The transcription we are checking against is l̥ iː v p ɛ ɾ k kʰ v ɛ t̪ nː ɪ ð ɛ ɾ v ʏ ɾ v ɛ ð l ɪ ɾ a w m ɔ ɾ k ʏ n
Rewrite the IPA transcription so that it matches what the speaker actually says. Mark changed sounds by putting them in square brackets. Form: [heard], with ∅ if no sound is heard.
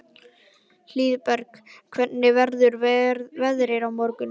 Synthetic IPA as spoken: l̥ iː [ð] p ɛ ɾ k kʰ v ɛ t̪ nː ɪ [v] ɛ ɾ [ð] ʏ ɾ v ɛ ð [ɾ] ɪ ɾ a w m ɔ ɾ k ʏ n